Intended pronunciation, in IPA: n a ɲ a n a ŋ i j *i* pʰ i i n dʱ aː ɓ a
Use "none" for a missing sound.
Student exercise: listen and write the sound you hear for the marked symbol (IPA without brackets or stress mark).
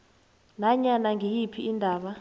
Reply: i